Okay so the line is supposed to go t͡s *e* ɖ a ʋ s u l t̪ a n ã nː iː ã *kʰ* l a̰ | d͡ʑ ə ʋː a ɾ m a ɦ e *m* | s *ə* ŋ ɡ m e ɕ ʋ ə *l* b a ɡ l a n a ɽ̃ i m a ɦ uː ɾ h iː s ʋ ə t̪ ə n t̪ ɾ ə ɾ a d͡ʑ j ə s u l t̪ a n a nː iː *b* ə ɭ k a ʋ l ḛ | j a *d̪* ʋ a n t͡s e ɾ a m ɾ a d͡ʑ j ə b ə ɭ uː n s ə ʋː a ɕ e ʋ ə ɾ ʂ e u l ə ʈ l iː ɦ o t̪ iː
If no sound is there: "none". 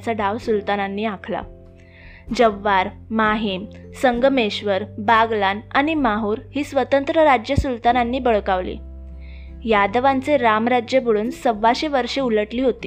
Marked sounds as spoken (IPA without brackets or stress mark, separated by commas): a, kʰ, m, ə, ɾ, b, d̪